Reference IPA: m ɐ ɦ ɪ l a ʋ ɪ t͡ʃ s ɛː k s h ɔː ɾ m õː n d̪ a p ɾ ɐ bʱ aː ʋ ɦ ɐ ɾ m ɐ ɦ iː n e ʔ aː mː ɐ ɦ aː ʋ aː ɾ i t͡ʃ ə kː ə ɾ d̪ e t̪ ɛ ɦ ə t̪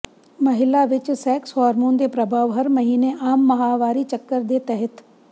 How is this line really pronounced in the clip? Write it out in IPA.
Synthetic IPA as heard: m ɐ ɦ ɪ l a ʋ ɪ t͡ʃ s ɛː k s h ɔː ɾ m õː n d̪ e p ɾ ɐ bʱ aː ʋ ɦ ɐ ɾ m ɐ ɦ iː n e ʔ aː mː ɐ ɦ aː ʋ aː ɾ i t͡ʃ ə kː ə ɾ d̪ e t̪ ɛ ɦ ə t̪